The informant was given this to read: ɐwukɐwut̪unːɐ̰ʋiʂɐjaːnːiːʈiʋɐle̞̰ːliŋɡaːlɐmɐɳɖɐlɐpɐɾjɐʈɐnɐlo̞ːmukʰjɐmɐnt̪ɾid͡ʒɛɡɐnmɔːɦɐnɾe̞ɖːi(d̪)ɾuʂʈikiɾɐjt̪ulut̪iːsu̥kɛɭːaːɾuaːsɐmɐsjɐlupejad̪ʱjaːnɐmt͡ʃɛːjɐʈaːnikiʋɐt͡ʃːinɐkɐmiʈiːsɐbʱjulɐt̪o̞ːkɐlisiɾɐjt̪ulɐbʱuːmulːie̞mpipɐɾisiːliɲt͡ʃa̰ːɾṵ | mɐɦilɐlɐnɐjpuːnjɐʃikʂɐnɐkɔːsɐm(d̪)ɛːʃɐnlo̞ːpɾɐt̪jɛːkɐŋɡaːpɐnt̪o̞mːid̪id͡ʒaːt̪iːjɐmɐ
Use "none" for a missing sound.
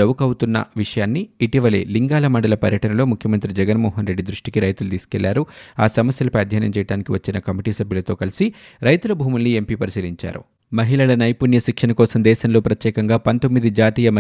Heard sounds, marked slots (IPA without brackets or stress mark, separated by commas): d̪, d̪